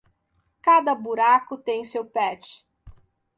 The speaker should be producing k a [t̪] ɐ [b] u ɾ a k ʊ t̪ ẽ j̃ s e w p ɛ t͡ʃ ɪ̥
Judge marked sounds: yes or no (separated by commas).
no, yes